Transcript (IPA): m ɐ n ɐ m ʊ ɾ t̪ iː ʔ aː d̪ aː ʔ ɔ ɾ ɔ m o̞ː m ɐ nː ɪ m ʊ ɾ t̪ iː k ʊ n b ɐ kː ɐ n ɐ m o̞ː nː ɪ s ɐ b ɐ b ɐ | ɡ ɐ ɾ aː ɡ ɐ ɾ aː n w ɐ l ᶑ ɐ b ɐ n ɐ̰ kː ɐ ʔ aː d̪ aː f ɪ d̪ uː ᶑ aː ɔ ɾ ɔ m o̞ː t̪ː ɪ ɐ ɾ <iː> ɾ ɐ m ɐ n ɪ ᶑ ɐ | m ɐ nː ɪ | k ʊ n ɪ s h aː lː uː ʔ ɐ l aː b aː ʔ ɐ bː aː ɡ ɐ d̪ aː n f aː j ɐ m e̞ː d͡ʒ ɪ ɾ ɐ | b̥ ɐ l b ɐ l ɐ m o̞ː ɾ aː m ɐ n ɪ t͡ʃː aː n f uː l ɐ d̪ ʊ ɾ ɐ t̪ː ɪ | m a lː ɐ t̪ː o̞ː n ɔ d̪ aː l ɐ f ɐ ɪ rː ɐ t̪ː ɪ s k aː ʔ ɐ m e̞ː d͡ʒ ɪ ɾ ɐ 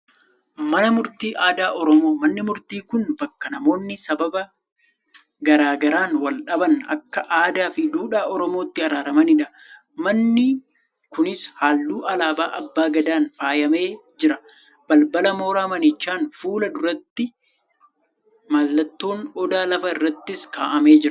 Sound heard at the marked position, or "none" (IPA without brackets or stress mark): aː